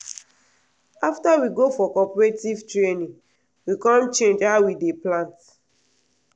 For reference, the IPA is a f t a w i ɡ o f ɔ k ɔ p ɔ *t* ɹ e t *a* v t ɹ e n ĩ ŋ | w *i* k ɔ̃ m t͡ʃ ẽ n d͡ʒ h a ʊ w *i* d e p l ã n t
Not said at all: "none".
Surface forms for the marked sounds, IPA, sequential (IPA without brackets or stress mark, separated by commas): none, i, i, i